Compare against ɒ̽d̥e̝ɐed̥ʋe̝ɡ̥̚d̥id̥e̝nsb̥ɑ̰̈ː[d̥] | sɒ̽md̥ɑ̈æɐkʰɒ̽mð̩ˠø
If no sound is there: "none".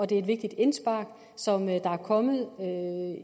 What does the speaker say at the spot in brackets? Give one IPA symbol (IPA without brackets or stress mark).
ɡ̥